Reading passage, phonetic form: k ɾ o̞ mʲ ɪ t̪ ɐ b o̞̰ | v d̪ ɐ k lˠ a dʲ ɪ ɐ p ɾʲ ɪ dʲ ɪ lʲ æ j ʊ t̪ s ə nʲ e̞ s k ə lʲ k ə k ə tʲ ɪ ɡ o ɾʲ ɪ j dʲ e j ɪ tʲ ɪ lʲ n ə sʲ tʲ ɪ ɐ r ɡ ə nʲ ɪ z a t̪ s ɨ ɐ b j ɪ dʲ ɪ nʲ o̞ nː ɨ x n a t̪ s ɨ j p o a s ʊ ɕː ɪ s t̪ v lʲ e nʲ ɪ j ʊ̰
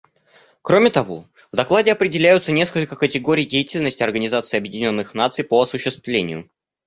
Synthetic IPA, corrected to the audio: k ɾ o̞ mʲ ɪ t̪ ɐ v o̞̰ | v d̪ ɐ k lˠ a dʲ ɪ ɐ p ɾʲ ɪ dʲ ɪ lʲ æ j ʊ t̪ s ə nʲ e̞ s k ə lʲ k ə k ə tʲ ɪ ɡ o ɾʲ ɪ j dʲ e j ɪ tʲ ɪ lʲ n ə sʲ tʲ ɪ ɐ r ɡ ə nʲ ɪ z a t̪ s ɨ ɐ b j ɪ dʲ ɪ nʲ o̞ nː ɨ x n a t̪ s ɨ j p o ɐ s ʊ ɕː ɪ s t̪ v lʲ e nʲ ɪ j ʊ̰